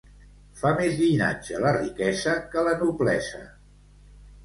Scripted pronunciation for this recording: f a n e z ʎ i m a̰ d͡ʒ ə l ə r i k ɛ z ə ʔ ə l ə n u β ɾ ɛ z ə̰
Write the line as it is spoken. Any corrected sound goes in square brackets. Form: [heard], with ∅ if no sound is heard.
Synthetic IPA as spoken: f a [m] e z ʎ i [n] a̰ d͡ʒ ə l ə r i k ɛ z ə [k] ə l ə n u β [l] ɛ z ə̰